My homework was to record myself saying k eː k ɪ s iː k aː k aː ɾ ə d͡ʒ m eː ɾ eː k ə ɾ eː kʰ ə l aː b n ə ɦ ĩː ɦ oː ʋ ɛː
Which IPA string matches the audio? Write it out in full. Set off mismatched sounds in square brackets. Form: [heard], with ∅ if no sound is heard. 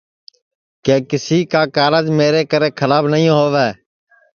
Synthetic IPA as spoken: k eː k ɪ s iː k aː k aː ɾ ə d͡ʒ m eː ɾ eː k ə ɾ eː kʰ ə l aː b n ə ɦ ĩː ɦ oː ʋ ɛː